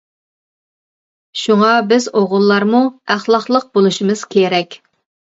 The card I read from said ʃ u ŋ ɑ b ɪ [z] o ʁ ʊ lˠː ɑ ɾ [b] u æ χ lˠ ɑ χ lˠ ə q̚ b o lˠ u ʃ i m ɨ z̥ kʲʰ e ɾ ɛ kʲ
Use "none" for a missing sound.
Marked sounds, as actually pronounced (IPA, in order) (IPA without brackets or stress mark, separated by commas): z, m